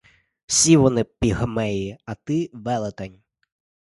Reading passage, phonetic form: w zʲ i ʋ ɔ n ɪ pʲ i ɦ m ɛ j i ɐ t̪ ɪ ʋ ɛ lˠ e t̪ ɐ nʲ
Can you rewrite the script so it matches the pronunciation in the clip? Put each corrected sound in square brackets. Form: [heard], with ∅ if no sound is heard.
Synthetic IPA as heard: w [sʲ] i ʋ ɔ n ɪ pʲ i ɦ m ɛ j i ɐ t̪ ɪ ʋ ɛ lˠ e t̪ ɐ nʲ